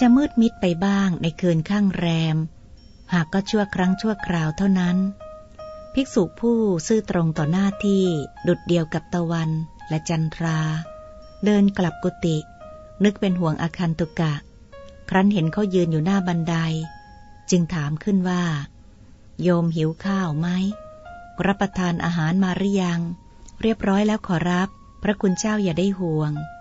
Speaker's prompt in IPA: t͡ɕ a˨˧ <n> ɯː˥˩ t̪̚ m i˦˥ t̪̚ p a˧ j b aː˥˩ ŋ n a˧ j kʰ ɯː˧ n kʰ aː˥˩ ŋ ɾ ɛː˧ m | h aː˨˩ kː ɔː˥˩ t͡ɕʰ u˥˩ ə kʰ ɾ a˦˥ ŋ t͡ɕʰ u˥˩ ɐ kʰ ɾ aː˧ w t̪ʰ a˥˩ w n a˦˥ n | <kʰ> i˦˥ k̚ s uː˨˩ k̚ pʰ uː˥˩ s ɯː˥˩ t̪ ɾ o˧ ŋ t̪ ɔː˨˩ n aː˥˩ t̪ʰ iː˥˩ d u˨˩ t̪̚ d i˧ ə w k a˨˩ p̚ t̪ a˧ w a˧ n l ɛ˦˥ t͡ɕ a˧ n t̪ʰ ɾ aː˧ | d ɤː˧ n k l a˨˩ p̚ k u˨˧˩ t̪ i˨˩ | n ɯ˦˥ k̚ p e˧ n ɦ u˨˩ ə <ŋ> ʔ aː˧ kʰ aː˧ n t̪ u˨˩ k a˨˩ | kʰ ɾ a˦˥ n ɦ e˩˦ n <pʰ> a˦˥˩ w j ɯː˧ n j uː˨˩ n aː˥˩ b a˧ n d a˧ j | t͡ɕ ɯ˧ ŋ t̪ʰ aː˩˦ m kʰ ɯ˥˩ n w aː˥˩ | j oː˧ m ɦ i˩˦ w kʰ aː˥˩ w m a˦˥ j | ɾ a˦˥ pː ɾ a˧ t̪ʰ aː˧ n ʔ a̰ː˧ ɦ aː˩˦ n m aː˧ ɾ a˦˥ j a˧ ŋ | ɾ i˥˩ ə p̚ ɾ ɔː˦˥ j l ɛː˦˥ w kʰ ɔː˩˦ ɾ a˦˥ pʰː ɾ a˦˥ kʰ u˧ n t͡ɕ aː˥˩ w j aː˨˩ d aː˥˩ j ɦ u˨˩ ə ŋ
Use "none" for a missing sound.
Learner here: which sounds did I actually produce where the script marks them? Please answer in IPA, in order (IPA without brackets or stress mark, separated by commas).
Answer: m, pʰ, ŋ, kʰ